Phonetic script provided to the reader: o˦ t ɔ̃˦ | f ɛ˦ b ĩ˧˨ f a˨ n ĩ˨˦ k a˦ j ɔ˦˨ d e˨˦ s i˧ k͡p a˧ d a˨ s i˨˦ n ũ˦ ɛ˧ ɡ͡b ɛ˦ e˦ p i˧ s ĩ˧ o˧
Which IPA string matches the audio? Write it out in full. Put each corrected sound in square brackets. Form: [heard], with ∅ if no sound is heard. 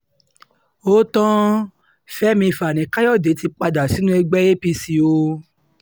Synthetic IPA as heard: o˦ t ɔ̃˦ | f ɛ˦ [m] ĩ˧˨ f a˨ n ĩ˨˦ k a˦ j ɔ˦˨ d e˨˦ [t] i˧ k͡p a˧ d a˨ s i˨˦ n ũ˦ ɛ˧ ɡ͡b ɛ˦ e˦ p i˧ s [i˧] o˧